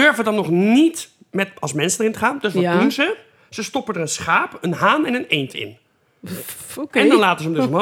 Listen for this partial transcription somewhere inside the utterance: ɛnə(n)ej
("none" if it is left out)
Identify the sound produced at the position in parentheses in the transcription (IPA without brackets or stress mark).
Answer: n